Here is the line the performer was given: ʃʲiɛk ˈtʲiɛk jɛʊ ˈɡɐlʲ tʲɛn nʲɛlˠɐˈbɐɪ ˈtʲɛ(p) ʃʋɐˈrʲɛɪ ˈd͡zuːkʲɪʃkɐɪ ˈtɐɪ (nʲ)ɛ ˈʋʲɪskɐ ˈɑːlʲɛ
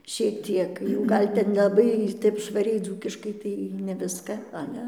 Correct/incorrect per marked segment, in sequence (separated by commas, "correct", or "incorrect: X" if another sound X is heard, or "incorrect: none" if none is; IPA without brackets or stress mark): correct, correct